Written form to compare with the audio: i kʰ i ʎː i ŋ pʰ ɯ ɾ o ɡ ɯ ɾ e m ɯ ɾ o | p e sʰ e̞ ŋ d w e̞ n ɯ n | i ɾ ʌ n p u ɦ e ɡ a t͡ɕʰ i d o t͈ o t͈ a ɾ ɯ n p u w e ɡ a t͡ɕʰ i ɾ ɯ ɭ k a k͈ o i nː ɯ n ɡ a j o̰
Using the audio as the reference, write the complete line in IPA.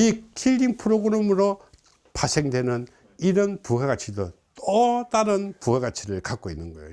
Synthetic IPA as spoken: i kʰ i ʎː i ŋ pʰ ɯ ɾ o ɡ ɯ ɾ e m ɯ ɾ o | p a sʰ e̞ ŋ d w e̞ n ɯ n | i ɾ ʌ n p u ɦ e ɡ a t͡ɕʰ i d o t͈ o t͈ a ɾ ɯ n p u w e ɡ a t͡ɕʰ i ɾ ɯ ɭ k a k͈ o i nː ɯ n ɡ ʌ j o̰